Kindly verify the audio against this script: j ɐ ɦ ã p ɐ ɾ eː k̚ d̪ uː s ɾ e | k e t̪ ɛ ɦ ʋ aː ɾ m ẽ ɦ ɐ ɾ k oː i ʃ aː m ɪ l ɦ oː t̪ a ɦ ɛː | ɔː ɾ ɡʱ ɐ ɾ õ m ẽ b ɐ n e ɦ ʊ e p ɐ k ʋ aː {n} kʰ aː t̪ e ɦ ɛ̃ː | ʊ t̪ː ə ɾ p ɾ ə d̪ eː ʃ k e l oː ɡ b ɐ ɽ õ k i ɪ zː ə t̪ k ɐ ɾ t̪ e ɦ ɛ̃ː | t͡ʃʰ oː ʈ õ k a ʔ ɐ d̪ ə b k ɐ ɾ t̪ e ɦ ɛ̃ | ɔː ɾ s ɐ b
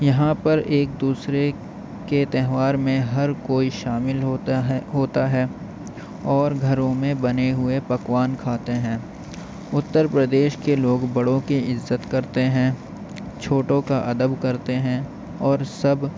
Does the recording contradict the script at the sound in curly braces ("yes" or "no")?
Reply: no